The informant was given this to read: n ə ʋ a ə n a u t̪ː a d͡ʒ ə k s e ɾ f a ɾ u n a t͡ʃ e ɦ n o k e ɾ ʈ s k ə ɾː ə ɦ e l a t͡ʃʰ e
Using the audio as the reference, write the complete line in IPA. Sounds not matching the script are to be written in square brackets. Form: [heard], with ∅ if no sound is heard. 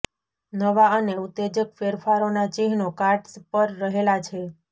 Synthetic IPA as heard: n ə ʋ a ə n [e] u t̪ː [e] d͡ʒ ə k [f] e ɾ f a ɾ [o] n a t͡ʃ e ɦ n o k [a] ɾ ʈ s [p] ə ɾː ə ɦ e l a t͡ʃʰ e